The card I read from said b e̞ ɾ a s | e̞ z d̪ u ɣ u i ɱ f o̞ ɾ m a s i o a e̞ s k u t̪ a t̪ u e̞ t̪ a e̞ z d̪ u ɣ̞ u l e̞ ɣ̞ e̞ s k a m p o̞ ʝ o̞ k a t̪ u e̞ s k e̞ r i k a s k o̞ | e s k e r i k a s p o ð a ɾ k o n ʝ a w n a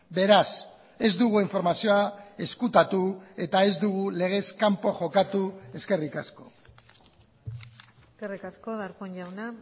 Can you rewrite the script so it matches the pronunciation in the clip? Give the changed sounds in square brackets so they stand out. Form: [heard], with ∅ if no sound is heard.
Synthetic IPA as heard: b e̞ ɾ a s | e̞ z d̪ u ɣ u i ɱ f o̞ ɾ m a s i o a e̞ s k u t̪ a t̪ u e̞ t̪ a e̞ z d̪ u ɣ̞ u l e̞ ɣ̞ e̞ s k a m p o̞ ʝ o̞ k a t̪ u e̞ s k e̞ r i k a s k o̞ | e s k e r i k a s [k] o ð a ɾ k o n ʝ a w n a